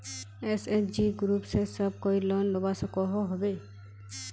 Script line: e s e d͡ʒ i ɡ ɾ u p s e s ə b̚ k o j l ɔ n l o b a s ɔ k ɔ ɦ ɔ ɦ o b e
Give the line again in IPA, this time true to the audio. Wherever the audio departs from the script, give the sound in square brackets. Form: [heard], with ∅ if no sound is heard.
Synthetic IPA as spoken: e s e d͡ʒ i ɡ ɾ u p s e s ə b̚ k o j l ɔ n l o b a s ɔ k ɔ ɦ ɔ ɦ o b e